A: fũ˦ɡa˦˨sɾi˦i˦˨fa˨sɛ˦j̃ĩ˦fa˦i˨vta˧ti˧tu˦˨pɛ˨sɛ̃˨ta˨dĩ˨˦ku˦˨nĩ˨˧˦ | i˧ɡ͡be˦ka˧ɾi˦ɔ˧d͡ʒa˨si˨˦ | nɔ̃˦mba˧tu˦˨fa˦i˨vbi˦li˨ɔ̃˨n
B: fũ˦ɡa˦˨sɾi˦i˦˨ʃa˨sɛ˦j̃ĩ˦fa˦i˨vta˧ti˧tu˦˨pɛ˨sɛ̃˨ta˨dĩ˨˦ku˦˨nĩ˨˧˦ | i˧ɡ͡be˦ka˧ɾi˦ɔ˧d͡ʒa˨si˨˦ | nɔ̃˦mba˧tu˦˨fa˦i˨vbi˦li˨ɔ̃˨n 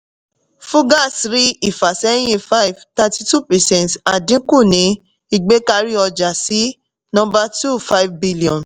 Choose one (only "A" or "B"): A